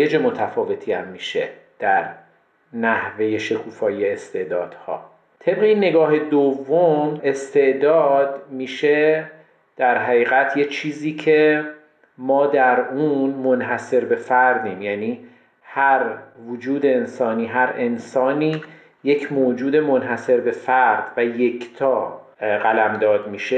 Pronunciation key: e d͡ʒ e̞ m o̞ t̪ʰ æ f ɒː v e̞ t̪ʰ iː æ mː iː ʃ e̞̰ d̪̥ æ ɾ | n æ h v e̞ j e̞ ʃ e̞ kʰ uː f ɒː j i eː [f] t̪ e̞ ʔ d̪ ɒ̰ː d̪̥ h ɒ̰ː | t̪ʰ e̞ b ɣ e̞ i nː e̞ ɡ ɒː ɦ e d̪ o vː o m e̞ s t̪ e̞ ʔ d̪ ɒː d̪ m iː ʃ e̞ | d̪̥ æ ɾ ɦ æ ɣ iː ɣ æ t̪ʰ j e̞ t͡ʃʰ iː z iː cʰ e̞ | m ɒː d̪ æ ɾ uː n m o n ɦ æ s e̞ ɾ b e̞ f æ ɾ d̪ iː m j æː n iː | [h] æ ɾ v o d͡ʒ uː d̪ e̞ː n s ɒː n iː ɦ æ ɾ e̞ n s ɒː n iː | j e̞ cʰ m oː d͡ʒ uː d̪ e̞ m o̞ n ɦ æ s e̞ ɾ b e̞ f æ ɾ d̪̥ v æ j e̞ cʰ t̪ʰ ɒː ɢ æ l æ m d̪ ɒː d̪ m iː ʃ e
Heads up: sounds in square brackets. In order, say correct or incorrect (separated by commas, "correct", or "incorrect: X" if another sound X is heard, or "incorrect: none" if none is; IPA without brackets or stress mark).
incorrect: s, correct